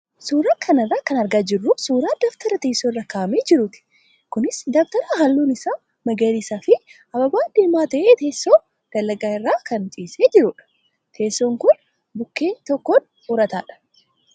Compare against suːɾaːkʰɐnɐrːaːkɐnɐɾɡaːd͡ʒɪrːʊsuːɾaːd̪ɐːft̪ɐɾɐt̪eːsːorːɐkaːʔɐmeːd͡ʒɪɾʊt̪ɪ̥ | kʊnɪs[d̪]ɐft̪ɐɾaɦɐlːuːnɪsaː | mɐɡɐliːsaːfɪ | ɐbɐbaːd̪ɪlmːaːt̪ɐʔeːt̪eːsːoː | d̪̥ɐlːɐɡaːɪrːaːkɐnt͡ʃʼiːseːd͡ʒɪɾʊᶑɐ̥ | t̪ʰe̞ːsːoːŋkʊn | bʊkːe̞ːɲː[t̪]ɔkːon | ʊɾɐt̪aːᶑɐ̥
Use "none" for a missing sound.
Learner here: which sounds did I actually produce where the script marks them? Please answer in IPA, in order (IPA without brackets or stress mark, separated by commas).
d̪, t̪